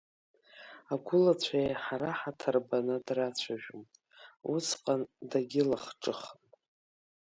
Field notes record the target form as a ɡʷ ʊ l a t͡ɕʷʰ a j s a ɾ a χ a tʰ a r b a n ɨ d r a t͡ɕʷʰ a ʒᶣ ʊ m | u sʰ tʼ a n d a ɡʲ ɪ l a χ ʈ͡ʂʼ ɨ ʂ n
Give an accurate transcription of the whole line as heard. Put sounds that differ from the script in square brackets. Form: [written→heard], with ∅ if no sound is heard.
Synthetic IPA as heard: a ɡʷ ʊ l a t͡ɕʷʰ a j [s→ħ] a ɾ a [χ→ħ] a tʰ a r b a n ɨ d r a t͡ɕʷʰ a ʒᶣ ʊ m | u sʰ [tʼ→qʼ] a n d a ɡʲ ɪ l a χ ʈ͡ʂʼ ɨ [ʂ→χ] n